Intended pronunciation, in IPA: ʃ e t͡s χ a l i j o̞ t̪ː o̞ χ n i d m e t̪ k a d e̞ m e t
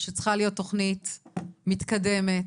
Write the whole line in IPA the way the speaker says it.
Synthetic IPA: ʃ e t͡s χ a l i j o̞ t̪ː o̞ χ n i t m i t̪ k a d e̞ m e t